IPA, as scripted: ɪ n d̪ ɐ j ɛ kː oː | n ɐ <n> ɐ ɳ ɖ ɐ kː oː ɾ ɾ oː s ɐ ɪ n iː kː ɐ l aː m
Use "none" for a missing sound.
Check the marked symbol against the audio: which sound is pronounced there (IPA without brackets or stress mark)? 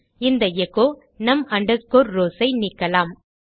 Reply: m